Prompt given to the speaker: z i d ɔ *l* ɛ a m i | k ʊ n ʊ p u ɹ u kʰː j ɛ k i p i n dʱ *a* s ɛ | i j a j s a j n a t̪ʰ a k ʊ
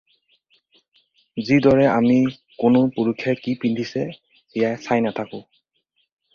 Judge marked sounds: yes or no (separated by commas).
no, no